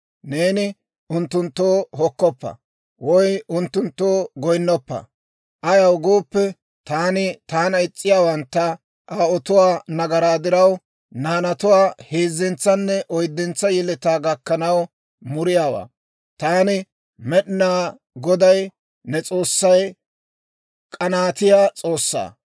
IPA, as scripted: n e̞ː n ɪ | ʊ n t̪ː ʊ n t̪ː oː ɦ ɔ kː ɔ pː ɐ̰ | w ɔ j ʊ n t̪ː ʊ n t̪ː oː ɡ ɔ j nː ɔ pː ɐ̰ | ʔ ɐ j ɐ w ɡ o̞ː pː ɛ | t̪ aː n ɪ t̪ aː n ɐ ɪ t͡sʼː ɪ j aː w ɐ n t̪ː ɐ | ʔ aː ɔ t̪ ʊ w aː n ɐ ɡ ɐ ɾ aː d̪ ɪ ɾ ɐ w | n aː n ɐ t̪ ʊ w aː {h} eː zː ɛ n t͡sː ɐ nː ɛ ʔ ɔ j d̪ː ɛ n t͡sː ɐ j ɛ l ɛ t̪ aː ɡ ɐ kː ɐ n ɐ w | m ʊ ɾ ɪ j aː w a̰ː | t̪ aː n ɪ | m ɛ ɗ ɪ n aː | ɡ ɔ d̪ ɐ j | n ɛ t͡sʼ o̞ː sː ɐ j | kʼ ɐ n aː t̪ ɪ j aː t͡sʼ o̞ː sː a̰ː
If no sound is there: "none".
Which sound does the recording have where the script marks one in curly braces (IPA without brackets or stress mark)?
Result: h